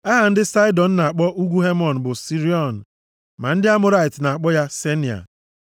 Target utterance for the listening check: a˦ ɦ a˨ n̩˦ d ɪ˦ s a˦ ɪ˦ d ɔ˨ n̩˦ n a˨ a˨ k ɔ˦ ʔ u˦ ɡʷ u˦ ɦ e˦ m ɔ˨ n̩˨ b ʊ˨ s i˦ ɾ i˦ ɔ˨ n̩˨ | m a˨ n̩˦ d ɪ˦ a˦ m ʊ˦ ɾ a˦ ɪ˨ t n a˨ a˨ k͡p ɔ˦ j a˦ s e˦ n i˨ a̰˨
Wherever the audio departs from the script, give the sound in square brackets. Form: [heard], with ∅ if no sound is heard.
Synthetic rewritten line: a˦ ɦ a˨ n̩˦ d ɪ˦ s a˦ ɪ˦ d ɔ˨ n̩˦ n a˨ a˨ [k͡p] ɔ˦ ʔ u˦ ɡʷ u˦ ɦ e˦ m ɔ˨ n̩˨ b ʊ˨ s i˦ ɾ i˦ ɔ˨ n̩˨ | m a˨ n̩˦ d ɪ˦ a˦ m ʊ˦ ɾ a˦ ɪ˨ t n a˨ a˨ k͡p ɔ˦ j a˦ s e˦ n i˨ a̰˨